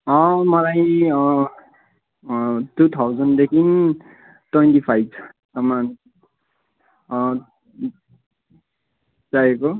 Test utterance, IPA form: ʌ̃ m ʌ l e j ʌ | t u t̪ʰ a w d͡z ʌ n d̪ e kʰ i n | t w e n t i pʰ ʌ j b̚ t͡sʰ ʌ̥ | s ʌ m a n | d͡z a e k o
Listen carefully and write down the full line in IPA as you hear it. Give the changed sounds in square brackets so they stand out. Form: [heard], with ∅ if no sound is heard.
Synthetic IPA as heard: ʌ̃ m ʌ l [a] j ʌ | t u t̪ʰ a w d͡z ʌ n d̪ e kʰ i n | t w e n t i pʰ [a] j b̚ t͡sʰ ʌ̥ | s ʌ m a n | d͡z a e k o